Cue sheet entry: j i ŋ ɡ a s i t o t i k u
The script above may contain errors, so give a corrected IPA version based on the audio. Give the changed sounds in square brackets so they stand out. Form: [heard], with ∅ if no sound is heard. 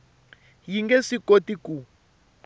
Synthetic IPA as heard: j i ŋ ɡ [ɛ] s i [k] o t i k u